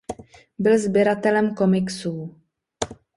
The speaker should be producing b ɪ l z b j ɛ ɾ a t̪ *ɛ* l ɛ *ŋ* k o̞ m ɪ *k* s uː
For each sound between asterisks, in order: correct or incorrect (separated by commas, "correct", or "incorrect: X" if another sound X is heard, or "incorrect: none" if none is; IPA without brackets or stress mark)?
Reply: correct, incorrect: m, correct